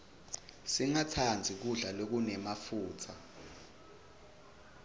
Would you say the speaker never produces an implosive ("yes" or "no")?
yes